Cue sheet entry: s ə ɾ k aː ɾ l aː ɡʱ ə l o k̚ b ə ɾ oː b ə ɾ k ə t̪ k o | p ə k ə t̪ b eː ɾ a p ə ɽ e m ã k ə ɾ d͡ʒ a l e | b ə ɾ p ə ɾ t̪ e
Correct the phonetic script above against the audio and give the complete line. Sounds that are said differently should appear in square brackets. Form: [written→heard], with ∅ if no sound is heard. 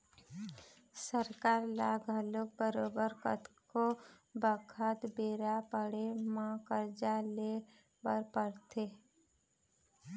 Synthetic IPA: s ə ɾ k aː ɾ l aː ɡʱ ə l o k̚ b ə ɾ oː b ə ɾ k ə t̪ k o | [p→b] ə [k→kʰ] ə t̪ b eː ɾ a p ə ɽ e m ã k ə ɾ d͡ʒ a l e | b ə ɾ p ə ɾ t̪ e